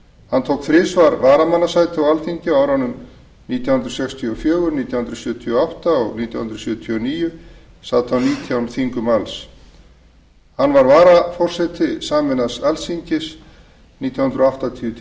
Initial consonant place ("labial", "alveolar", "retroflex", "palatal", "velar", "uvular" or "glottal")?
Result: glottal